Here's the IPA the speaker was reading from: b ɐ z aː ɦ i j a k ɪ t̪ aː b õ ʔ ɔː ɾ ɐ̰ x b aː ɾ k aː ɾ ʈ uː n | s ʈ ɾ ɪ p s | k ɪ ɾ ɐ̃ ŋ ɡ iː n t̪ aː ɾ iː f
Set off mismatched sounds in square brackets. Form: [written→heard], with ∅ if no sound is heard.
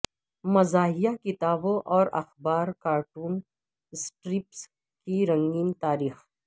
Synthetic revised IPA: [b→m] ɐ z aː ɦ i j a k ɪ t̪ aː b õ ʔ ɔː ɾ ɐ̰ x b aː ɾ k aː ɾ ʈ uː n | s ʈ ɾ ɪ p s | k [ɪ→i] ɾ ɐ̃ ŋ ɡ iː n t̪ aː ɾ iː [f→x]